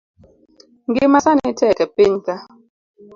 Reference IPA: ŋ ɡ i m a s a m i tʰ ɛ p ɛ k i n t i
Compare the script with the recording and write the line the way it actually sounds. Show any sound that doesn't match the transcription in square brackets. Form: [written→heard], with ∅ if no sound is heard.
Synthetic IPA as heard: ŋ ɡ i m a s a [m→n] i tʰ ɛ [p→k] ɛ [k→p] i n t [i→a]

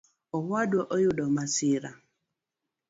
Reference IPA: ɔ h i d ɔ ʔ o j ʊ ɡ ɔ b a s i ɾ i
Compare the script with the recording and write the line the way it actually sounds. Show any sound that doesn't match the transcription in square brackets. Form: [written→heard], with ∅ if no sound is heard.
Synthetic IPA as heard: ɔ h [i→a] d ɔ ʔ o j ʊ [ɡ→d] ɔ [b→m] a s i ɾ [i→a]

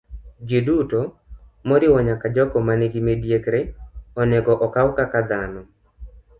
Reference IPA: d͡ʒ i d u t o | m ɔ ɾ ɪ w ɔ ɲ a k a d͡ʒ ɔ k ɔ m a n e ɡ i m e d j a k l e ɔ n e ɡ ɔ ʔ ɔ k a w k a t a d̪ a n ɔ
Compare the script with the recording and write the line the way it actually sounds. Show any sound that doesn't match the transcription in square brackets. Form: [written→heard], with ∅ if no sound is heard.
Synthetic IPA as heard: d͡ʒ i d u t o | m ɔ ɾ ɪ w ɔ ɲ a k a d͡ʒ ɔ k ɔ m a n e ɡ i m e d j [a→e] k [l→ɾ] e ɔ n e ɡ ɔ ʔ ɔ k a w k a [t→k] a d̪ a n ɔ

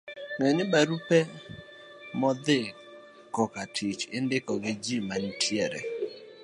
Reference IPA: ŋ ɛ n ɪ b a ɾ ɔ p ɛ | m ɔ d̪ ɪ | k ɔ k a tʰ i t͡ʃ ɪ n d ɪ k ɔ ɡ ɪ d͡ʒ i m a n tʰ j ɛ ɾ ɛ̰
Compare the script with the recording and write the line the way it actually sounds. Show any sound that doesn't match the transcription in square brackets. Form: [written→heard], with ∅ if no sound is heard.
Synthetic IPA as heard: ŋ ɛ n ɪ b a ɾ [ɔ→u] p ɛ | m ɔ d̪ ɪ | k ɔ k a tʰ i t͡ʃ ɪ n d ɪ k ɔ ɡ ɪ d͡ʒ i m a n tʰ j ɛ ɾ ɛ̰

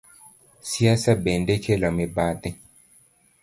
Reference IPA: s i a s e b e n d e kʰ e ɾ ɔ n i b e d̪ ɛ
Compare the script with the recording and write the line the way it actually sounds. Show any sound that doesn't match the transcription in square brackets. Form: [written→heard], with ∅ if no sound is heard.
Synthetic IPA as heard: s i a s [e→a] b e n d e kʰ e [ɾ→l] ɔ [n→m] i b [e→a] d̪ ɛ

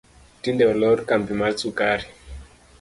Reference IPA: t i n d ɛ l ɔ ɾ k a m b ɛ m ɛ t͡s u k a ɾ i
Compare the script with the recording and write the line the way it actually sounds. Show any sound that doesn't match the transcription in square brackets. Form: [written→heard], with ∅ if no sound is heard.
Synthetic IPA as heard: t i n d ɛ l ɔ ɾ k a m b [ɛ→i] m [ɛ→a] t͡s u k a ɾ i

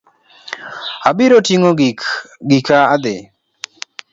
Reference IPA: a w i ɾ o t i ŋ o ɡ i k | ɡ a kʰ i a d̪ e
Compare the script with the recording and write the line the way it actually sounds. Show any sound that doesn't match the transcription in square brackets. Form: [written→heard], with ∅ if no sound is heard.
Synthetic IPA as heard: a [w→b] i ɾ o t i ŋ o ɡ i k | ɡ [a→i] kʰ [i→a] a d̪ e

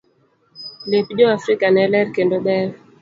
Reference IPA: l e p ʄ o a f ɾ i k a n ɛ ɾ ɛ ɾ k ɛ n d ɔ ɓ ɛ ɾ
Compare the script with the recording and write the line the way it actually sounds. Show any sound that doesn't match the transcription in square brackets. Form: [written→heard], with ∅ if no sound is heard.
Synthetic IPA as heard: l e p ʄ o a f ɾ i k a n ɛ [ɾ→l] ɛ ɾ k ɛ n d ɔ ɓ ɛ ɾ

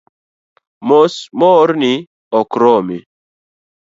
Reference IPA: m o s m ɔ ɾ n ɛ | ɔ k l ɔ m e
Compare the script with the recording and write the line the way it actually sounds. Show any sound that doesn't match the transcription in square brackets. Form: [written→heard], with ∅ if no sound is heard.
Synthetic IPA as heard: m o s m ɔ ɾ n [ɛ→i] | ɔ k [l→ɾ] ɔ m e

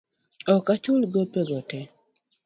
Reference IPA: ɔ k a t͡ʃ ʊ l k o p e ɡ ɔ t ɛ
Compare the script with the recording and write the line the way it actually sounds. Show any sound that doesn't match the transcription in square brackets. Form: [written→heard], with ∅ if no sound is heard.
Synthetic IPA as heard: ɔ k a t͡ʃ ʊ l [k→ɡ] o p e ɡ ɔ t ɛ

